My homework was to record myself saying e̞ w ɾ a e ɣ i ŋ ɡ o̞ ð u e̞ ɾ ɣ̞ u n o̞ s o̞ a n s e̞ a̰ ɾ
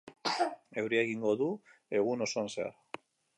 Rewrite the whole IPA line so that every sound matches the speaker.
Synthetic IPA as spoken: e̞ w ɾ i e ɣ i ŋ ɡ o̞ ð u e̞ ɣ̞ u n o̞ s o̞ a n s e̞ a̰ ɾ